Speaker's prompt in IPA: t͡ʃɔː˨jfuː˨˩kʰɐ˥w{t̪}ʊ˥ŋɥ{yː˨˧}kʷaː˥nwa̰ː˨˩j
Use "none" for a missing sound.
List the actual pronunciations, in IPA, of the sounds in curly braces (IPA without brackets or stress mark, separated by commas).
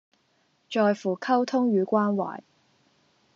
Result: t̪ʰ, yː˨˧